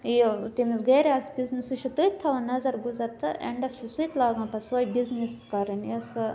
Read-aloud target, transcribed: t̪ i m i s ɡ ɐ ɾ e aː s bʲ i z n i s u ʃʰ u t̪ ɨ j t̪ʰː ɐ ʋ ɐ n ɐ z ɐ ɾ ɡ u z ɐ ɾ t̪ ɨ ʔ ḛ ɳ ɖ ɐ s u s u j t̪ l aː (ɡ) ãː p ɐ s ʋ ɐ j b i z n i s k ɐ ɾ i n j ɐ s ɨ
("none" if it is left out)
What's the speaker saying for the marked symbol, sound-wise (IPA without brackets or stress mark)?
ɡ